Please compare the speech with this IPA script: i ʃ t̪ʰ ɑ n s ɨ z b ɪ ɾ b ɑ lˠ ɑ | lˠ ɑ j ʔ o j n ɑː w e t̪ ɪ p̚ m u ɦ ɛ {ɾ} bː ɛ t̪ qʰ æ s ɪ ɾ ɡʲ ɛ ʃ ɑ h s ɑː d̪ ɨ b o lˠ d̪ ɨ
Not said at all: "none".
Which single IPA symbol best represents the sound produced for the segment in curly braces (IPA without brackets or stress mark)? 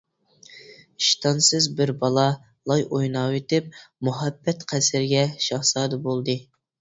none